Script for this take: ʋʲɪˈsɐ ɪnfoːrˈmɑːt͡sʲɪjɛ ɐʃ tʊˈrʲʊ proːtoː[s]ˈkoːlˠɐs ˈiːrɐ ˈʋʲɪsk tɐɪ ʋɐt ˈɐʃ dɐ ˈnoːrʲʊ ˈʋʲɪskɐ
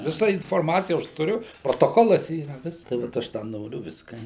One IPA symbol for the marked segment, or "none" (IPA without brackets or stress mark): none